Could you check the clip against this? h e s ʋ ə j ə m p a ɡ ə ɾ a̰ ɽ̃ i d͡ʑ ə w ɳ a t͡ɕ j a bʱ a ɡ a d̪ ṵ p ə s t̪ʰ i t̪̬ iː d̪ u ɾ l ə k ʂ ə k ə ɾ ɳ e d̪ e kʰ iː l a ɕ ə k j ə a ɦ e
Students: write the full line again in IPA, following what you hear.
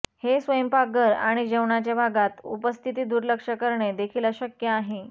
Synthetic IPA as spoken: h e s ʋ ə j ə m p a ɡ ə ɾ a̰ ɽ̃ i d͡ʑ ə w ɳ a t͡ɕ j a bʱ a ɡ a t̪ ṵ p ə s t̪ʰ i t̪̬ iː d̪ u ɾ l ə k ʂ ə k ə ɾ ɳ e d̪ e kʰ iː l a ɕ ə k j ə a ɦ e